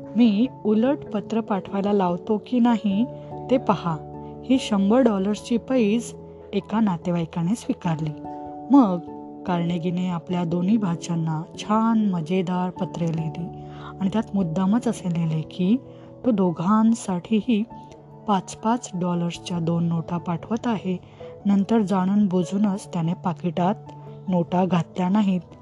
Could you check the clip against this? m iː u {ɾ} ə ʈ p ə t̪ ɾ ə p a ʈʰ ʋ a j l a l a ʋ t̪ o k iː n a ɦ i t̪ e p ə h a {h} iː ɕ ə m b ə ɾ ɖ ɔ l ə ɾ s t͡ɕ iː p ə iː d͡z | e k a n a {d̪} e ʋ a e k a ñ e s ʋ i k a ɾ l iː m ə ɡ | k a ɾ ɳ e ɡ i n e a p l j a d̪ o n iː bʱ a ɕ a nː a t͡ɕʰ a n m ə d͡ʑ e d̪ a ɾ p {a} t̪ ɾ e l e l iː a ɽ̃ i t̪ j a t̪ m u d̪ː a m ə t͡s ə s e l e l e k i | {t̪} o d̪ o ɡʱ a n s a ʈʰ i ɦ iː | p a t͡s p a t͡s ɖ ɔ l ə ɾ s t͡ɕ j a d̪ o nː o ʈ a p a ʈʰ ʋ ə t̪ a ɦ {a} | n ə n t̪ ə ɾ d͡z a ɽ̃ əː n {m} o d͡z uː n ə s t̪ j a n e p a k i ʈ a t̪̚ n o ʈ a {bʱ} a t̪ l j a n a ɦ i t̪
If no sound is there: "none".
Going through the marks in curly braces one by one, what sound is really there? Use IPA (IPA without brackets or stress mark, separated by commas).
l, h, t̪, ə, t̪, e, b, ɡʱ